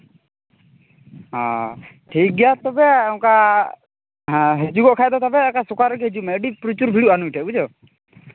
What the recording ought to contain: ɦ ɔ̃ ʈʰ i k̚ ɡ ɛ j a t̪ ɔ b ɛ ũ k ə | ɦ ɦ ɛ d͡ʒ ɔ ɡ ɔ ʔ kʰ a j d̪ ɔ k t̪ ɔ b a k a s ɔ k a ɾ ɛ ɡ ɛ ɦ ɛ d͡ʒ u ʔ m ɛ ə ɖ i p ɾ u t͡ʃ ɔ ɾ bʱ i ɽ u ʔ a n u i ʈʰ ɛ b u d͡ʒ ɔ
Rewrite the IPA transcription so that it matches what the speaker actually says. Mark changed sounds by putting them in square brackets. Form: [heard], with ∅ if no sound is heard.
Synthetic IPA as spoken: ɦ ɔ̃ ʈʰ i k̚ ɡ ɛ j a t̪ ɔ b ɛ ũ k [a] | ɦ ɦ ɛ d͡ʒ [u] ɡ ɔ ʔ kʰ a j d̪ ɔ [∅] t̪ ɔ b [ɛ] k a s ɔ k a ɾ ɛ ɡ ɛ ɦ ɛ d͡ʒ u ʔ m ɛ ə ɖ i p ɾ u t͡ʃ [u] ɾ bʱ i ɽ u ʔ a n u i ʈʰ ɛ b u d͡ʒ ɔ